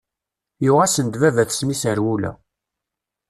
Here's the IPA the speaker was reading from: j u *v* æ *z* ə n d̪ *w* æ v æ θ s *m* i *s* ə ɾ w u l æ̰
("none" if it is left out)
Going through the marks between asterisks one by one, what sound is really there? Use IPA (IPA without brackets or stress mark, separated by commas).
ʁ, s, v, m, s